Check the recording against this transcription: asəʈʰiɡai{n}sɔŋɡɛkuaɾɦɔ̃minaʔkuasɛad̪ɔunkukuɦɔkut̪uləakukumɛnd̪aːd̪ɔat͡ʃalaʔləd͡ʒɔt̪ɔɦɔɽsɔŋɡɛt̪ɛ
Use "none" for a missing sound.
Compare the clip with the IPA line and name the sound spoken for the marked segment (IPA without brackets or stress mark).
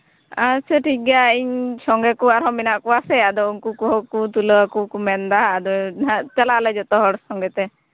ɲ